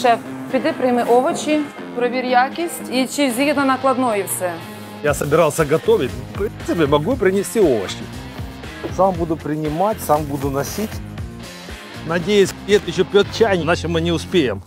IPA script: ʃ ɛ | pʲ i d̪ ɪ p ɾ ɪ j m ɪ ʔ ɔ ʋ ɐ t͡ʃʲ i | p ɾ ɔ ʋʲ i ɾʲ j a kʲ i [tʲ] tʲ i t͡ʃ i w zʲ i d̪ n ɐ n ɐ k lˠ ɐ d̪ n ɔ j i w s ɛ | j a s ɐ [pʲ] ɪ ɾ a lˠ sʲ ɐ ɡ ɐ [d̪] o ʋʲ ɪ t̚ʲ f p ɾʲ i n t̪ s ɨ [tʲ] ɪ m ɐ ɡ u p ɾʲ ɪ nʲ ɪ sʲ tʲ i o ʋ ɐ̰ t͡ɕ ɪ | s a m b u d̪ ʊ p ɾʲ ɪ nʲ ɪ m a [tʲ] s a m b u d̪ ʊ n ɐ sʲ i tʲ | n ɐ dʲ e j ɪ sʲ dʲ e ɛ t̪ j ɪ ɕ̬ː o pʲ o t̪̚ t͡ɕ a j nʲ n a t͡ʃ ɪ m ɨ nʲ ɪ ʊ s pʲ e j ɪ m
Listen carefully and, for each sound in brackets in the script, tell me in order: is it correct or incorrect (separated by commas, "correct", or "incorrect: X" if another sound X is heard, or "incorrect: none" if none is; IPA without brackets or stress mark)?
incorrect: sʲ, incorrect: bʲ, incorrect: t̪, incorrect: pʲ, correct